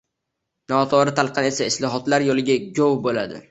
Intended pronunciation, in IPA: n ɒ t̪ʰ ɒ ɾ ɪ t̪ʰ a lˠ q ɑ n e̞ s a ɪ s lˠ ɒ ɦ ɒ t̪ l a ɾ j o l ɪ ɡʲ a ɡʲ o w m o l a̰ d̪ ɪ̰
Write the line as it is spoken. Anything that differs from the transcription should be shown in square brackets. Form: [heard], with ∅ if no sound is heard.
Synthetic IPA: n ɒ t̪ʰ ɒ ɾ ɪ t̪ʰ a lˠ q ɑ n e̞ s a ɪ s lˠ ɒ ɦ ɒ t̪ l a ɾ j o l ɪ ɡʲ a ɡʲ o w [b] o l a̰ d̪ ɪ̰